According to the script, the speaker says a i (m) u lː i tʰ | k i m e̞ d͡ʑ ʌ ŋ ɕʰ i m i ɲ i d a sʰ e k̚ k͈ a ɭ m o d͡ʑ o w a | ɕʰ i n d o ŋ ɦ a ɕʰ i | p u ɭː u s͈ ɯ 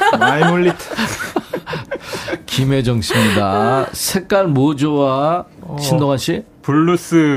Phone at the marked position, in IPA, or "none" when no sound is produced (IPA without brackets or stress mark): m